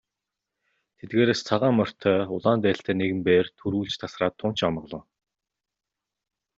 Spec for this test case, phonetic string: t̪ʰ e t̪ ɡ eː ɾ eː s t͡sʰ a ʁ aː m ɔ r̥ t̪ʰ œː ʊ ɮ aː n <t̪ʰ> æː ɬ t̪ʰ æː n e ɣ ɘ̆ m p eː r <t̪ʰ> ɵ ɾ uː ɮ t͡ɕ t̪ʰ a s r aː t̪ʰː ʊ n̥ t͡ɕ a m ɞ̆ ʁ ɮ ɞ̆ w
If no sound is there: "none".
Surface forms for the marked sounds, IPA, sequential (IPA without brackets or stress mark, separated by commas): t̪, t̪ʰ